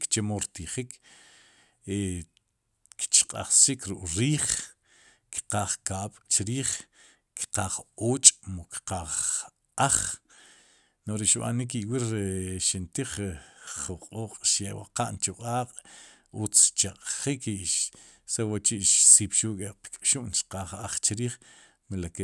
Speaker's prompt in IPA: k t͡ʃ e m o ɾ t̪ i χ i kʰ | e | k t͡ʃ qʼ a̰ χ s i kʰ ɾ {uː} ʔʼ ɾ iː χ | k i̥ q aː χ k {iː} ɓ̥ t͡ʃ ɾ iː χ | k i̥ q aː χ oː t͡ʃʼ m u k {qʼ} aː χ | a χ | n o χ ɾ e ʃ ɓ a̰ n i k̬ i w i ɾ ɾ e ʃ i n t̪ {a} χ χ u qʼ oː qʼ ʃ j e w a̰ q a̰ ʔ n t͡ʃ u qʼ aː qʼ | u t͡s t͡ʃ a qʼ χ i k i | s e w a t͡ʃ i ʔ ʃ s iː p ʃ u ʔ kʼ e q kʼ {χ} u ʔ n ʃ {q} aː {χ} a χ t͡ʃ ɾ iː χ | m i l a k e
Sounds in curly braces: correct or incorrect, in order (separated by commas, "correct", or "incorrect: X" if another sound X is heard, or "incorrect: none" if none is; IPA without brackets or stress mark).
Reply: incorrect: u, incorrect: aː, incorrect: q, incorrect: i, incorrect: ʃ, correct, correct